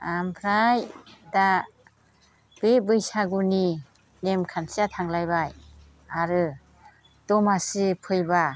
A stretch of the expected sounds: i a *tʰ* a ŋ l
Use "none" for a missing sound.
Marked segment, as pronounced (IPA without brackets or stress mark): tʰ